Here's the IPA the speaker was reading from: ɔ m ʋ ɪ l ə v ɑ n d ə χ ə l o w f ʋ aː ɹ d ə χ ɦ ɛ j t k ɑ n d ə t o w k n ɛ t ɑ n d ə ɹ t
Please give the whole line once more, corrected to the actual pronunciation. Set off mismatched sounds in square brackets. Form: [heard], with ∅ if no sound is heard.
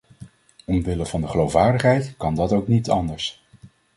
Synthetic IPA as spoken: ɔ m ʋ ɪ l ə v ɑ n d ə χ ə l o w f ʋ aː ɹ d ə χ ɦ ɛ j t k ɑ n d [ɑ] t o w k n [i] t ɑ n d ə ɹ [s]